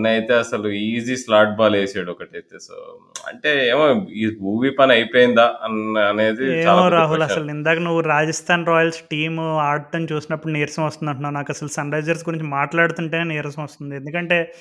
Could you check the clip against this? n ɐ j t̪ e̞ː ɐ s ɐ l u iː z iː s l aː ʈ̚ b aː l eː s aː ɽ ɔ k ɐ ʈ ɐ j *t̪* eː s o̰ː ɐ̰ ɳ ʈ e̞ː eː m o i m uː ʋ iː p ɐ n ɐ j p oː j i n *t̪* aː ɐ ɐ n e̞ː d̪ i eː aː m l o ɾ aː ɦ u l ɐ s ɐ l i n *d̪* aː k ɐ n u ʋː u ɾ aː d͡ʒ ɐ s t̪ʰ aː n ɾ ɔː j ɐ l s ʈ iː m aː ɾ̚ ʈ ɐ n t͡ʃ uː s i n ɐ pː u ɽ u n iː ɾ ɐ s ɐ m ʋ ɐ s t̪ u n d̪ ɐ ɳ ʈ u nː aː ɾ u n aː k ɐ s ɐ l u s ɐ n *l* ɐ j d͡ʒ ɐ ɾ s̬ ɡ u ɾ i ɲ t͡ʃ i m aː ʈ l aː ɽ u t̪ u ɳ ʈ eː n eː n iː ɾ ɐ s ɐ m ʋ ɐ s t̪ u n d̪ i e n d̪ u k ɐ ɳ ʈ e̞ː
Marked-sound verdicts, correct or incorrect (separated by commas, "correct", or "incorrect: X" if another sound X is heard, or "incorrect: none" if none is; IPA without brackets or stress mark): correct, incorrect: d̪, correct, incorrect: ɾ